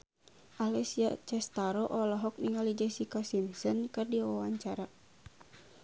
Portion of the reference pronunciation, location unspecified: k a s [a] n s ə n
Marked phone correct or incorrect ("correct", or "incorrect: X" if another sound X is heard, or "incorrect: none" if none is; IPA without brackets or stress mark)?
incorrect: i